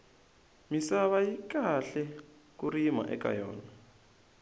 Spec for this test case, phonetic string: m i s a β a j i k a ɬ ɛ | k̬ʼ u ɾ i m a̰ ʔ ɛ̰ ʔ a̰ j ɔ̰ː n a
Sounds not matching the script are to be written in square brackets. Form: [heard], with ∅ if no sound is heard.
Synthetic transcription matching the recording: m i s a β a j i k a ɬ ɛ | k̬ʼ u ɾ i m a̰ ʔ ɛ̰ [k] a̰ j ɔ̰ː n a